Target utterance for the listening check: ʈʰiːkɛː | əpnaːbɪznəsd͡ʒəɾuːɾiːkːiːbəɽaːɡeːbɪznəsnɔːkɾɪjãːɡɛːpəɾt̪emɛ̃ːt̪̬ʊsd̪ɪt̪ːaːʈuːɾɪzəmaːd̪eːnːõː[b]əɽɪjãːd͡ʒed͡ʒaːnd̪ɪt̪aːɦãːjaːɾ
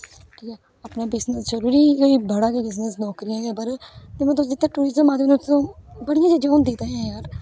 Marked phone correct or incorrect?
correct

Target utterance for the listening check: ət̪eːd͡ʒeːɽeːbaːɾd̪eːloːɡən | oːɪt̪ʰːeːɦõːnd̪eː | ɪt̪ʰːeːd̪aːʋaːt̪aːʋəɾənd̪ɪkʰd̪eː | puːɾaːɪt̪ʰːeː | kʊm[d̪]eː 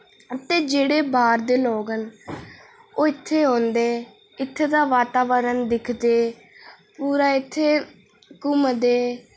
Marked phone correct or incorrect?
correct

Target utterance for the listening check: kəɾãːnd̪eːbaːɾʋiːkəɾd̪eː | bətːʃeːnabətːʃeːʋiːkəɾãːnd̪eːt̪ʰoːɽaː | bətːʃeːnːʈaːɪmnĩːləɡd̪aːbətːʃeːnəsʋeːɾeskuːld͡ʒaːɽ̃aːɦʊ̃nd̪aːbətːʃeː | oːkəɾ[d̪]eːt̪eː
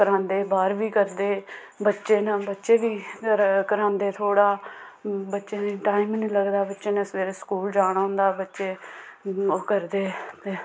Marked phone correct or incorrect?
correct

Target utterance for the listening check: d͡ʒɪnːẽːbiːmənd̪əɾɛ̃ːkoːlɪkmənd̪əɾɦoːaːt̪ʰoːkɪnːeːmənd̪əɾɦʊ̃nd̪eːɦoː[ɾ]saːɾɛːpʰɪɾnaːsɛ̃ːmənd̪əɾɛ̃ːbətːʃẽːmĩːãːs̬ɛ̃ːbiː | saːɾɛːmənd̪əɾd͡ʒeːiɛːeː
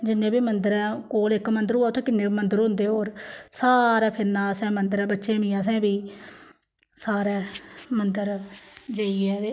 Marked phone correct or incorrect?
correct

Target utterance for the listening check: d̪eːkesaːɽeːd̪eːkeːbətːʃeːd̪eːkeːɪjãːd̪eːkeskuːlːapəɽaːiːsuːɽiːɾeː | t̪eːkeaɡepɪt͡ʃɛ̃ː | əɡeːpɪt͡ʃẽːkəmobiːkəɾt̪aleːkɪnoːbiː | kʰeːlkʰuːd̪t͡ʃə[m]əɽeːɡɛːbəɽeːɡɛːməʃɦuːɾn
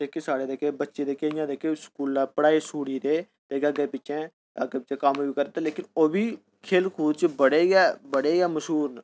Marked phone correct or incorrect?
incorrect: b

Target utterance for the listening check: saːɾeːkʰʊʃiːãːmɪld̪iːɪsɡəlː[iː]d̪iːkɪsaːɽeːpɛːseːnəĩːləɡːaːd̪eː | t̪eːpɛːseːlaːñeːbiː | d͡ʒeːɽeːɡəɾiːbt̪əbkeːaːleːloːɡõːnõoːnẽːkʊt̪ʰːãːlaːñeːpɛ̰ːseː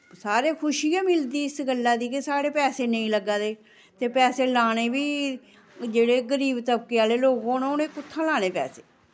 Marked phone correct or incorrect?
incorrect: aː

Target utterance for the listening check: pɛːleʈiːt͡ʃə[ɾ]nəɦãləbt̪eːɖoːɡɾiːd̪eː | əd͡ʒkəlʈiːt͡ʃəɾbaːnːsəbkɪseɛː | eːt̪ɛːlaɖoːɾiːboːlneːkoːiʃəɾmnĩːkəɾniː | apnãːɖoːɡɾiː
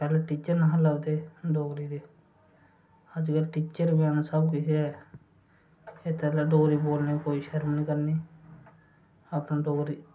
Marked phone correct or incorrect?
correct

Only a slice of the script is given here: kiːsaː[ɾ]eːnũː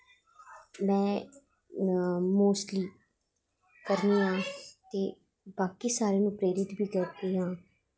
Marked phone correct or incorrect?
correct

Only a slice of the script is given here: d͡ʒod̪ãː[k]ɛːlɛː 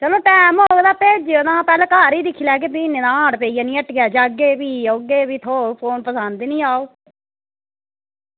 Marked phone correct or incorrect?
incorrect: p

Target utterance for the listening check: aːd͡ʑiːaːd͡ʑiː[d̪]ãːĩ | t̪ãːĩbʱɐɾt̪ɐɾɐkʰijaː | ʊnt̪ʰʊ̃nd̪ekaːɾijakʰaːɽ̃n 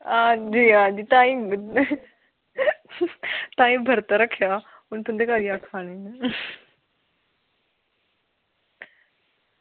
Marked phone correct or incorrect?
incorrect: t̪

